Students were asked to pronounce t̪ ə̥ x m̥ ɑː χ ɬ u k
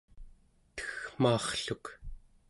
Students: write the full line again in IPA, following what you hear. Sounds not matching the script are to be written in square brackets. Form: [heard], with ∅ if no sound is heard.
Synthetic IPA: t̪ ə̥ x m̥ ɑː χ ɬ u k

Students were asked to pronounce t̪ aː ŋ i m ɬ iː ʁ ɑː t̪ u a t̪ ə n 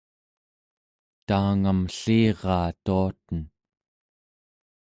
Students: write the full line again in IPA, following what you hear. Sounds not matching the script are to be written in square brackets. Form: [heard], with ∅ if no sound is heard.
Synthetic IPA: t̪ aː ŋ [a] m ɬ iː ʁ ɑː t̪ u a t̪ ə n

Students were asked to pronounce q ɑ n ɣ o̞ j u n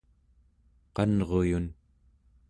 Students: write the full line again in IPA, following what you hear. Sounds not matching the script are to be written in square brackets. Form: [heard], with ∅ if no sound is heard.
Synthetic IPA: q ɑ n [ʁ] o̞ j u n

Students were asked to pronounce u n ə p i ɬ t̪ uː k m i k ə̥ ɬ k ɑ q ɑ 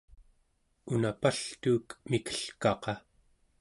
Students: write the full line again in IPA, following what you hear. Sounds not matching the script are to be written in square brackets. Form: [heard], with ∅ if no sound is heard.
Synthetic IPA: u n [a] p [a] ɬ t̪ uː k m i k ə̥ ɬ k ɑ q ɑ

